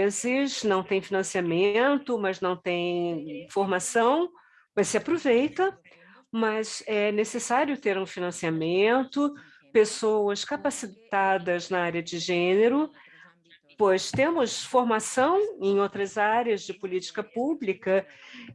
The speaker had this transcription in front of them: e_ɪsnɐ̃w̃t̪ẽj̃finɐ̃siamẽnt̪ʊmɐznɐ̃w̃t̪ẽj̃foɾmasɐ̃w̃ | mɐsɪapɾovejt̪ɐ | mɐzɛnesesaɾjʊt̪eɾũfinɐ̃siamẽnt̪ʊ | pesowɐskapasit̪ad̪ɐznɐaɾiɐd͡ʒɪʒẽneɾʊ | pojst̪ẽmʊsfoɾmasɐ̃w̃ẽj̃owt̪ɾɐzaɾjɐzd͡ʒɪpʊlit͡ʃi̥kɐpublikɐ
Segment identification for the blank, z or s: z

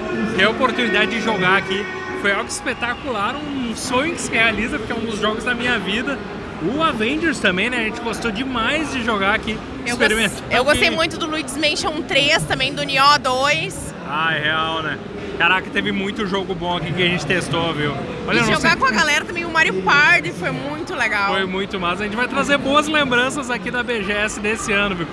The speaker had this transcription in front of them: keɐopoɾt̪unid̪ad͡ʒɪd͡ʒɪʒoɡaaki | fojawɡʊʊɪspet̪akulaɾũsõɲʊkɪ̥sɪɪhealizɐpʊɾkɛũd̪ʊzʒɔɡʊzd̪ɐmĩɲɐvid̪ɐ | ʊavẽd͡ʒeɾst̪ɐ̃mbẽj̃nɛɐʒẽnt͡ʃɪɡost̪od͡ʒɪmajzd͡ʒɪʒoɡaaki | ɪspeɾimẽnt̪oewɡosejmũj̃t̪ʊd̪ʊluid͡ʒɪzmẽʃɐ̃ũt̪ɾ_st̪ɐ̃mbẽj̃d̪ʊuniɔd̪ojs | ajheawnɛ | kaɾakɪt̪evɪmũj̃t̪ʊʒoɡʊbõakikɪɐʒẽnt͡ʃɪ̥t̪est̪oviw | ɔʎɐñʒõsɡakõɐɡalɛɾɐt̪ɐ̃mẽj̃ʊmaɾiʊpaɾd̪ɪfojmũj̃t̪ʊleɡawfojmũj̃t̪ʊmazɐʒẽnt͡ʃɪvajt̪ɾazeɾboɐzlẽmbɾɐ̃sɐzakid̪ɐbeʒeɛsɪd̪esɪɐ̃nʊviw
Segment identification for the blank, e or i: e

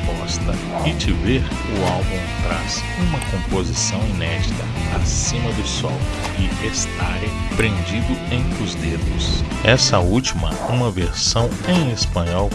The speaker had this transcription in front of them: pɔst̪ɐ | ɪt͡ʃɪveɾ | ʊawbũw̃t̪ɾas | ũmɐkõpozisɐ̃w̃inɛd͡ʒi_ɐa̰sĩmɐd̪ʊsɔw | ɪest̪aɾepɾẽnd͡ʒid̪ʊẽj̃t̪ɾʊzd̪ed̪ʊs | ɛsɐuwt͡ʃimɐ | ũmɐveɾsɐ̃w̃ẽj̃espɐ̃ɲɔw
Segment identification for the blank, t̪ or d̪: t̪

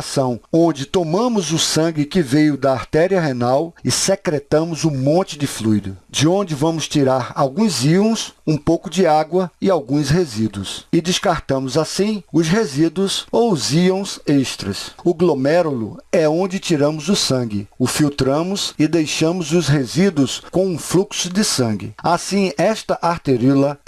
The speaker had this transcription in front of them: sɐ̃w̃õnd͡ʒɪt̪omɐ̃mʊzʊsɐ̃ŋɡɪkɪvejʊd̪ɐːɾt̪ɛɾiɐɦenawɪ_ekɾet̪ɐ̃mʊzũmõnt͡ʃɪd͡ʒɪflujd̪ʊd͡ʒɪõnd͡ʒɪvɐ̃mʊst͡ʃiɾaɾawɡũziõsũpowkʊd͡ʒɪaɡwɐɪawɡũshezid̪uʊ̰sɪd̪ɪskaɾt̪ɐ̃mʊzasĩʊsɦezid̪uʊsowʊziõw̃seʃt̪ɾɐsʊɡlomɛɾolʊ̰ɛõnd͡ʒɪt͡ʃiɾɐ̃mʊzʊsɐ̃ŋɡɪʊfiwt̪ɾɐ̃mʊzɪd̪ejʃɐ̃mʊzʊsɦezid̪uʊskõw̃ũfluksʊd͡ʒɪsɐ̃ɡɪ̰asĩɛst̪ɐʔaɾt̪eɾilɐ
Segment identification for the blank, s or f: s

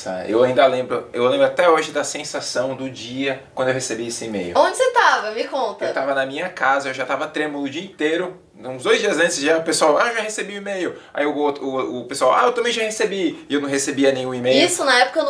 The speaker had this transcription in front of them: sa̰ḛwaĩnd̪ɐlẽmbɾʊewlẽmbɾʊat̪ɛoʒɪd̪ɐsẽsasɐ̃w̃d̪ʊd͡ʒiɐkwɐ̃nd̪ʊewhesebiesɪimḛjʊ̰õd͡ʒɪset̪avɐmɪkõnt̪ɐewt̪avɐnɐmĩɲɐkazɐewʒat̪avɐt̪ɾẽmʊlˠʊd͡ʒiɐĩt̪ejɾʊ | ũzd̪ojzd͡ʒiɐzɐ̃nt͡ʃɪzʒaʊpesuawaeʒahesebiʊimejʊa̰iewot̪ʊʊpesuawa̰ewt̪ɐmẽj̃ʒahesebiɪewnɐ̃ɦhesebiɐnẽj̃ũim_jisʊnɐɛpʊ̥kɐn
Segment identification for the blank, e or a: e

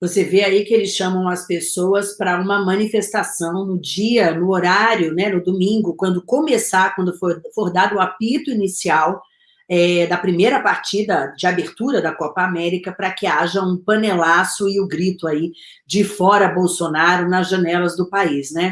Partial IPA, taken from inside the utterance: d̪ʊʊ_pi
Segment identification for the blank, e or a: a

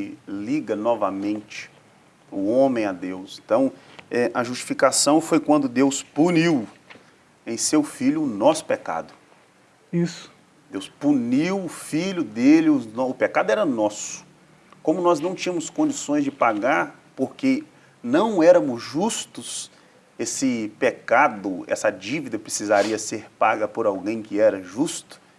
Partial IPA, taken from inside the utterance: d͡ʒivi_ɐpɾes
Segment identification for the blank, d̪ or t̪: d̪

